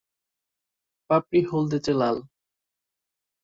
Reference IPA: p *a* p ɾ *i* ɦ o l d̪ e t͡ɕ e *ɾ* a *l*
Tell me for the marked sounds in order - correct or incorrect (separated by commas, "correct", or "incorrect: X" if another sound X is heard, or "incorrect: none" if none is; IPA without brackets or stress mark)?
correct, correct, incorrect: l, correct